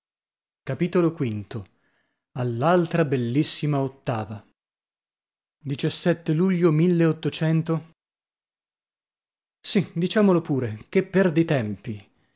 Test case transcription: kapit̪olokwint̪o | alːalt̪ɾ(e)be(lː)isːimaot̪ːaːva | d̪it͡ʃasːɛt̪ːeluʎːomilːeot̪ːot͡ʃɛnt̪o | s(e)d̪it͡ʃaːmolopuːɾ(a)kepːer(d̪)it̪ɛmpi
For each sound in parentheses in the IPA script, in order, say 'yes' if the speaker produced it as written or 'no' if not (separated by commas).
no, yes, no, no, yes